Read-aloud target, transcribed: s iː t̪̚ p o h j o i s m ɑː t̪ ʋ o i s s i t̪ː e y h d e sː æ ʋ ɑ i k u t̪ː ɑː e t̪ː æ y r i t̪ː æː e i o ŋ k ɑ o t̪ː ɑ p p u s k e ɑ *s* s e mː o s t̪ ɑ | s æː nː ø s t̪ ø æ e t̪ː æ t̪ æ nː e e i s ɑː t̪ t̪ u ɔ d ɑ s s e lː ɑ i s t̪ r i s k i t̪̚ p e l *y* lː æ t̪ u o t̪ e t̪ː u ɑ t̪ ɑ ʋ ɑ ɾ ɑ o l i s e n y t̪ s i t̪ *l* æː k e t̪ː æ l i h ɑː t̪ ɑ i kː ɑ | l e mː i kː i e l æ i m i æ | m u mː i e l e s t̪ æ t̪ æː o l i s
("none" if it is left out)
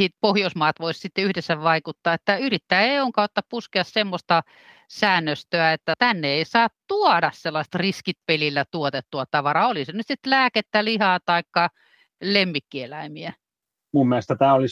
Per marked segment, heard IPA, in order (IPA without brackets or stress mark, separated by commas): s, i, l